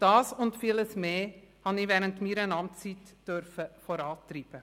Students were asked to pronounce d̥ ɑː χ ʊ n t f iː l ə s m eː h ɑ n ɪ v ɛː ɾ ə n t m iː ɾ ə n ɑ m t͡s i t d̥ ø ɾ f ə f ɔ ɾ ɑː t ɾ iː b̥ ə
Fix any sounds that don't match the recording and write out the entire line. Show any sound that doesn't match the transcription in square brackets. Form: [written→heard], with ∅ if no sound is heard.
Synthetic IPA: d̥ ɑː [χ→s] ʊ n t f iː l ə s m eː h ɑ n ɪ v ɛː ɾ ə n t m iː ɾ ə n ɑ m t͡s i t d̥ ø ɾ f ə f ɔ ɾ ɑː t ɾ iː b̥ ə